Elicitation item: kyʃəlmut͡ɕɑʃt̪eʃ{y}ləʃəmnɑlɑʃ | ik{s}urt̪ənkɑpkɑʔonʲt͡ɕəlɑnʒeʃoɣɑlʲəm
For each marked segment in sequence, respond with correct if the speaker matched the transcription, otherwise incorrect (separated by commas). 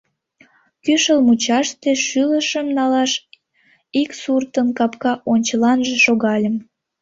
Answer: correct, correct